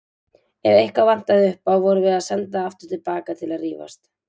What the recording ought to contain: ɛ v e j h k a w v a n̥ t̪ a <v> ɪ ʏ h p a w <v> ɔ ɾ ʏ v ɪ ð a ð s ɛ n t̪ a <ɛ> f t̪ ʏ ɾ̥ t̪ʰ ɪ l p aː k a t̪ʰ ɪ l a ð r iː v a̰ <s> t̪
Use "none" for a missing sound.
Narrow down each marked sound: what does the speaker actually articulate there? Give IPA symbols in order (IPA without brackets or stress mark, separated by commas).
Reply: ð, v, a, s